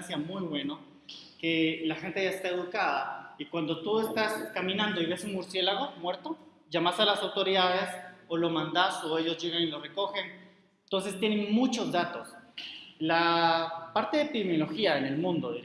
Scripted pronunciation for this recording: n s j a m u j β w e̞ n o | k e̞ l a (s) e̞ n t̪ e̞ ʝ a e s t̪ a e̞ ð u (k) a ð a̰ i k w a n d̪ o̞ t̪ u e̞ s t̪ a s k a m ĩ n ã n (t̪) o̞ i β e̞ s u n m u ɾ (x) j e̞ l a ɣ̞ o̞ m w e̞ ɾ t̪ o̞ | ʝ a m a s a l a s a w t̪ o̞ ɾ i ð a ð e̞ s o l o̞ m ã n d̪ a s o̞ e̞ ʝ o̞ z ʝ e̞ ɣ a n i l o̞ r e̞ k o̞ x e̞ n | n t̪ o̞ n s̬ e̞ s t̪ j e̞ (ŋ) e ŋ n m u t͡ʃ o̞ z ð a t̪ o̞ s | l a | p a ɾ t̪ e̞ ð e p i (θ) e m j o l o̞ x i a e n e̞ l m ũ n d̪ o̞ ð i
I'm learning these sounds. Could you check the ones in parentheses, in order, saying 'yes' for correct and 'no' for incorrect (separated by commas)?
no, yes, no, no, no, no